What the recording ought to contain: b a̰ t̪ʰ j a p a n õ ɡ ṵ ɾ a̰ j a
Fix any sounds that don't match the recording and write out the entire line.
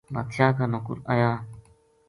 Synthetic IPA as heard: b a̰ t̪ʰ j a k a n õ k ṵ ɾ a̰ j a